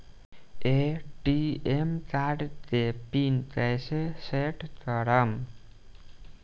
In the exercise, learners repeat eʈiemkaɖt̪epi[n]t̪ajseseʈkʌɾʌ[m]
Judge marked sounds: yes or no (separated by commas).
yes, yes